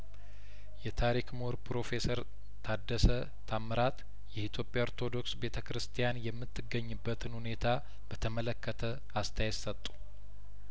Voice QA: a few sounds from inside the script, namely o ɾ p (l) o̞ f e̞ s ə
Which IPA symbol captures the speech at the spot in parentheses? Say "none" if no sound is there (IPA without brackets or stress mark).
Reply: ɾ